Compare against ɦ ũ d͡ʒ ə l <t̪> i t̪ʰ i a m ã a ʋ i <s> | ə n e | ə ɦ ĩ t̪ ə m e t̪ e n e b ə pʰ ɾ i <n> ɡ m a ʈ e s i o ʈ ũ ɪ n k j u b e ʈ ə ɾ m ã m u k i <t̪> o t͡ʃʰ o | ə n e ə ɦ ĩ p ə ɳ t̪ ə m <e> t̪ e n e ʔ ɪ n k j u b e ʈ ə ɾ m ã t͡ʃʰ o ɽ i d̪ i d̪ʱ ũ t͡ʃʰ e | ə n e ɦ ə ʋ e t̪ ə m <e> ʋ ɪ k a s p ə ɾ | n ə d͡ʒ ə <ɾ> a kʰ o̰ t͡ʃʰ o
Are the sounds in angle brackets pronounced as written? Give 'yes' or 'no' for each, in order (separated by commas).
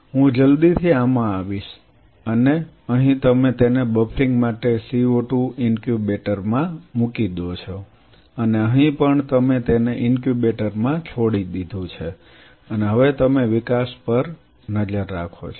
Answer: no, no, no, no, yes, yes, no